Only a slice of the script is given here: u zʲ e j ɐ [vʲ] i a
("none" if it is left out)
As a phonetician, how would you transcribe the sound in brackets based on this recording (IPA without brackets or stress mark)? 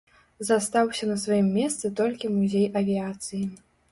vʲ